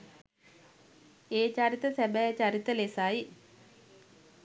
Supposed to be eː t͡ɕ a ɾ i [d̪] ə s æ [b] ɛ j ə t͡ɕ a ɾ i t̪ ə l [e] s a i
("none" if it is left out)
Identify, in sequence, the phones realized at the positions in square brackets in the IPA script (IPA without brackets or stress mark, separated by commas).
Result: t̪, b, e